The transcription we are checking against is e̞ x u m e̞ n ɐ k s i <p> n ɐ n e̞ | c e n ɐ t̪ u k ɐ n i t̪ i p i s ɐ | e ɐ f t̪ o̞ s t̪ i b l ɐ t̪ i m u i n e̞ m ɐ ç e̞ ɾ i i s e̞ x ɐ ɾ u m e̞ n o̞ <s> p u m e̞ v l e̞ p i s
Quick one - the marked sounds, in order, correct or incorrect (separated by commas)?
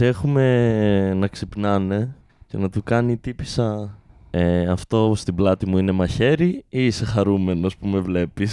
correct, correct